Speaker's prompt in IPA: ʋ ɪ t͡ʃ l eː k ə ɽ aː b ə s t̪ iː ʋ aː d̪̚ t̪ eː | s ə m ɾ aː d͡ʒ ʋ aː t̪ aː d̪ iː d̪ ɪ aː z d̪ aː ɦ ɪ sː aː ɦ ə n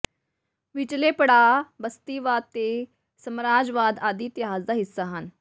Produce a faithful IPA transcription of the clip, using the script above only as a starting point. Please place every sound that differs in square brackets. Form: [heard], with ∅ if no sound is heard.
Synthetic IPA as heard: ʋ ɪ t͡ʃ l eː [p] ə ɽ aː b ə s t̪ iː ʋ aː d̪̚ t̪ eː | s ə m ɾ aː d͡ʒ ʋ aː [d̪] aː d̪ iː [t̪] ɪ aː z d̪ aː ɦ ɪ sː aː ɦ ə n